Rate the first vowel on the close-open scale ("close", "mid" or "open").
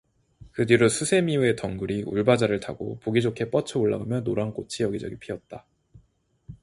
close